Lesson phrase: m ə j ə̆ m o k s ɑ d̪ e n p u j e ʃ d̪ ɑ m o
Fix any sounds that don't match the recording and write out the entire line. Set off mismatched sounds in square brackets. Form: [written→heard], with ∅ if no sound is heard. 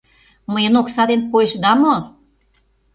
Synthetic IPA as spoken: m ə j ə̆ [m→n] o k s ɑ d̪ e n p [u→o] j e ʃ d̪ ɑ m o